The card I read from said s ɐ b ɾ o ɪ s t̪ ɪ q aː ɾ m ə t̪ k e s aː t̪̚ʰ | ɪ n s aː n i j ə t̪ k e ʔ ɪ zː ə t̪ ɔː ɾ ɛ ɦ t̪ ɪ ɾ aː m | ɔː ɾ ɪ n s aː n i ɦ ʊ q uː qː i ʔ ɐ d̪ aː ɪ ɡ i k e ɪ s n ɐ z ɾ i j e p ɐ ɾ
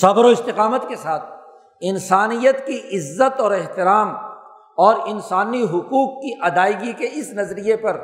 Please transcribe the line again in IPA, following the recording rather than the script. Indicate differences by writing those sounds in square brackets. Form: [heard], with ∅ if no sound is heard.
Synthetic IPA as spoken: s ɐ b ɾ o ɪ s t̪ ɪ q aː [∅] m ə t̪ k e s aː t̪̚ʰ | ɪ n s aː n i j ə t̪ k [i] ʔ ɪ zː ə t̪ ɔː ɾ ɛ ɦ t̪ ɪ ɾ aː m | ɔː ɾ ɪ n s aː n i ɦ ʊ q uː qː i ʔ ɐ d̪ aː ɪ ɡ i k e ɪ s n ɐ z ɾ i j e p ɐ ɾ